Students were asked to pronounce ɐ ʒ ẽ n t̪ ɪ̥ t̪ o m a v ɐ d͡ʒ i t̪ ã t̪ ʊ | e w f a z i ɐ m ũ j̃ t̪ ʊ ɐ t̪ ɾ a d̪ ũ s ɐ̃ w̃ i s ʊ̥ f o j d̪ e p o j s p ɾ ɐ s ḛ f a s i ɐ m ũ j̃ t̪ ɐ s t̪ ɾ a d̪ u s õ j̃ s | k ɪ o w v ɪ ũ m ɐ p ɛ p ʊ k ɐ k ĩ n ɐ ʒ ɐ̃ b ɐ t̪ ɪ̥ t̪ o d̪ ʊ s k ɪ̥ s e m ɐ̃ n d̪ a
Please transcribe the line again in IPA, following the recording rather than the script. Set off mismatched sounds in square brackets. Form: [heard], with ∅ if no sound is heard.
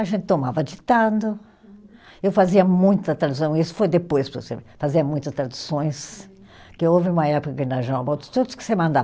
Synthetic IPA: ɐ ʒ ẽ n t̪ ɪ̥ t̪ o m a v ɐ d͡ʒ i t̪ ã [d̪] ʊ | e w f a z i ɐ m ũ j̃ t̪ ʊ ɐ t̪ ɾ a d̪ [u] s ɐ̃ w̃ i s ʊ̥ f o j d̪ e p o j s p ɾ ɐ s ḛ f a [z] i ɐ m ũ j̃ t̪ ɐ s t̪ ɾ a d̪ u s õ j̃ s | k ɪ o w v ɪ ũ m ɐ [∅] ɛ p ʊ k ɐ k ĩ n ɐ ʒ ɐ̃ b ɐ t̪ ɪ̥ t̪ o d̪ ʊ s k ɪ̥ s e m ɐ̃ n d̪ a